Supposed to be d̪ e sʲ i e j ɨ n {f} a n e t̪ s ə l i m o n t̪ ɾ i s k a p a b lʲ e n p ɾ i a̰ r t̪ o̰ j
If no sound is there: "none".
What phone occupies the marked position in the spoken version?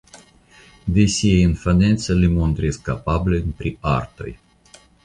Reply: f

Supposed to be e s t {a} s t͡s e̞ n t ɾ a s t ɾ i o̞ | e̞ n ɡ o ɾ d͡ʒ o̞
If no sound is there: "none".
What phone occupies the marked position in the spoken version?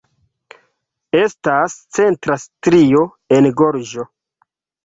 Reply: a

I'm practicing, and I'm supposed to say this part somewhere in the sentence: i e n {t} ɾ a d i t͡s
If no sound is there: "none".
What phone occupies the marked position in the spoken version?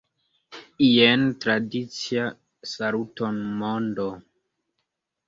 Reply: t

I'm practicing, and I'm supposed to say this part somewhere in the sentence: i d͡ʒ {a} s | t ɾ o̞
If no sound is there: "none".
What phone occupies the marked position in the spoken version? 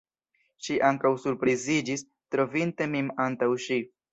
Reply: i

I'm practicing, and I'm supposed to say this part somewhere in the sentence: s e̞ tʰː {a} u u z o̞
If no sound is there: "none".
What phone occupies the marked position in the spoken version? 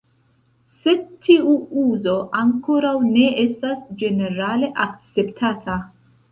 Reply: i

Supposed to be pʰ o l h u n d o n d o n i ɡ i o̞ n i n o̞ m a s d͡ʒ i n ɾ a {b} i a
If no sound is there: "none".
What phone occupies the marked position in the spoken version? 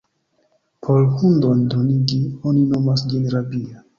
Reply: b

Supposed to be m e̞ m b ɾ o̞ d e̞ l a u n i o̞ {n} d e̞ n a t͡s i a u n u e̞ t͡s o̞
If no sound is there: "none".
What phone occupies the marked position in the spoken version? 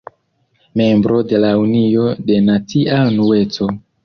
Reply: none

